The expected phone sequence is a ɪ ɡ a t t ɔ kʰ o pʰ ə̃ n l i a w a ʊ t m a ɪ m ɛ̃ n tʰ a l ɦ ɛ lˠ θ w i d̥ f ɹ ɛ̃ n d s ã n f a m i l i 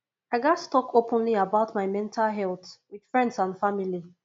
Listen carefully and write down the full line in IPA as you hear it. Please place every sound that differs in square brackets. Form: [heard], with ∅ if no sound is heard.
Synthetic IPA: a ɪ ɡ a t t ɔ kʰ o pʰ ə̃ n l i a [b] a ʊ t m a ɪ m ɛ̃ n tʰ a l ɦ ɛ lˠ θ w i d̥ f ɹ ɛ̃ n d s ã n f a m i l i